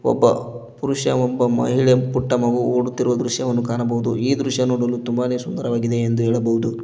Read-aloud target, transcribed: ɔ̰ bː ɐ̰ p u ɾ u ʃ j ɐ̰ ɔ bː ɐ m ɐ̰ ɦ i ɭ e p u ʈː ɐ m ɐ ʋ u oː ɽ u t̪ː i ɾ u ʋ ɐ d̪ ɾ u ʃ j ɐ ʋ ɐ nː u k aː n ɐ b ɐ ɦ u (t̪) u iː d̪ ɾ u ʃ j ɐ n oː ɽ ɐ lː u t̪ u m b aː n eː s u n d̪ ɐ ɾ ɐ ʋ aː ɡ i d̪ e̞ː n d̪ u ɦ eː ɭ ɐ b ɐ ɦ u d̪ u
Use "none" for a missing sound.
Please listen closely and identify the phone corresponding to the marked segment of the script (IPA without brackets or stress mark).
d̪